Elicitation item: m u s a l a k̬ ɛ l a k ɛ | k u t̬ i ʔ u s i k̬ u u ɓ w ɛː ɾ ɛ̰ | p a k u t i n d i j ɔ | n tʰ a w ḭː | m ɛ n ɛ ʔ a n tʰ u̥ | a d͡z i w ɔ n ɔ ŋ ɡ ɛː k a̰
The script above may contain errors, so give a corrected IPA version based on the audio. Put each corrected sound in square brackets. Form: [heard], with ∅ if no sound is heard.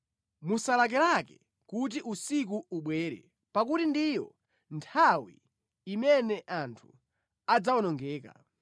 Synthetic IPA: m u s a l a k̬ ɛ l a k ɛ | k u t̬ i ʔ u s i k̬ u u ɓ w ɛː ɾ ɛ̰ | p a k u t i n d i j ɔ | n tʰ a w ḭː | m ɛ n ɛ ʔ a n tʰ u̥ | a d͡z [a] w ɔ n ɔ ŋ ɡ ɛː k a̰